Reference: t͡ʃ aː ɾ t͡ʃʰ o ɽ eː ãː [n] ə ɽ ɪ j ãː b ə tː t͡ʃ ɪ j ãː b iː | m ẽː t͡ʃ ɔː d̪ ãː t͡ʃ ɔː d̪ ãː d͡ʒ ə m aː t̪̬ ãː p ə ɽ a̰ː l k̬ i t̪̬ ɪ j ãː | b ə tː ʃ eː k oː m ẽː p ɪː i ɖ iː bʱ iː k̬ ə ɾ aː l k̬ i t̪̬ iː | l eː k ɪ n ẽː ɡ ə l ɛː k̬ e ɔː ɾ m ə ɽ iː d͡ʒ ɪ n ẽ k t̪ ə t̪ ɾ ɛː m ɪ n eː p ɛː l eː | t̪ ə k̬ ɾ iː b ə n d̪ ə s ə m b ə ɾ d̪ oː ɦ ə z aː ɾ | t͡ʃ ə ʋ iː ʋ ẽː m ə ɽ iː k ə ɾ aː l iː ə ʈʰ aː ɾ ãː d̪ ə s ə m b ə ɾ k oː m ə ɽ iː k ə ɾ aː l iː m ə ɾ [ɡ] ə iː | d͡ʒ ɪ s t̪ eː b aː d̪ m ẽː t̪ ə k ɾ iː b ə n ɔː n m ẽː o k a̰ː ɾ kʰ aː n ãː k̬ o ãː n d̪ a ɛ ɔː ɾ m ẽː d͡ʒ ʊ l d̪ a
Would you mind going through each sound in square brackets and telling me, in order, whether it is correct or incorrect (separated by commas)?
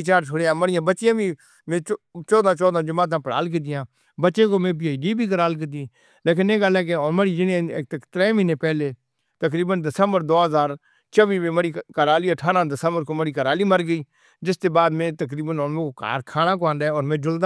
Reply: incorrect, correct